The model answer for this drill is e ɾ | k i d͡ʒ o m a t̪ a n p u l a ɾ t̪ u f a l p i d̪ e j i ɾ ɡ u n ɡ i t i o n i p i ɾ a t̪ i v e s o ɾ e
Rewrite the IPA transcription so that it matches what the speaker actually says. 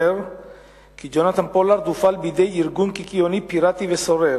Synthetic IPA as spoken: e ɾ | k i d͡ʒ o n a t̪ a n p o l a ɾ d̪ u f a l b i d̪ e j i ɾ ɡ u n k i k i o n i p i ɾ a t̪ i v e s o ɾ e